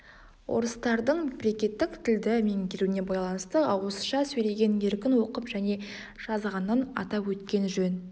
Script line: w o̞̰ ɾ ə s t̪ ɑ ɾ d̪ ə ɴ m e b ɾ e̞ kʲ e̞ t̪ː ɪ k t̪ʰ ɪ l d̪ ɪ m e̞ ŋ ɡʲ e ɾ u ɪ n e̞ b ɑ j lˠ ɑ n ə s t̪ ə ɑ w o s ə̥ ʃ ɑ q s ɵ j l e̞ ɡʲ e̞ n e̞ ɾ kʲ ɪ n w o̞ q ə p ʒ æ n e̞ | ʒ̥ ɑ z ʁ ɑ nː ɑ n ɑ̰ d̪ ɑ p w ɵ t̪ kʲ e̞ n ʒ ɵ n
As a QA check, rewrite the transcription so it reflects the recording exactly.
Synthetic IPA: w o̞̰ ɾ ə s t̪ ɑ ɾ d̪ ə ɴ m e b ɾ e̞ kʲ e̞ t̪ː ɪ k t̪ʰ ɪ l d̪ ɪ m e̞ ŋ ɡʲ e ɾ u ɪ n e̞ b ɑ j lˠ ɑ n ə s t̪ ə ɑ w o s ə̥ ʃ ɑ s ɵ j l e̞ ɡʲ e̞ n e̞ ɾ kʲ ɪ n w o̞ q ə p ʒ æ n e̞ | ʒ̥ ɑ z ʁ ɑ nː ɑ n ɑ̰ t̪ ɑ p w ɵ t̪ kʲ e̞ n ʒ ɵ n